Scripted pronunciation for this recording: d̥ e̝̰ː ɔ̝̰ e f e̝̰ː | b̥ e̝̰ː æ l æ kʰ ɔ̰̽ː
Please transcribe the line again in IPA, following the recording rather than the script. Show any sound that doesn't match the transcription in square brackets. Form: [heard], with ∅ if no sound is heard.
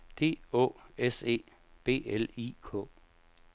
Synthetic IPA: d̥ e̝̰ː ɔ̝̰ e [s] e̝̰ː | b̥ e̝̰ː [e] l [i] kʰ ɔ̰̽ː